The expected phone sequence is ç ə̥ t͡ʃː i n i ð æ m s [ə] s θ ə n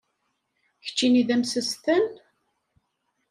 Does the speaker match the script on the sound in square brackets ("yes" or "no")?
yes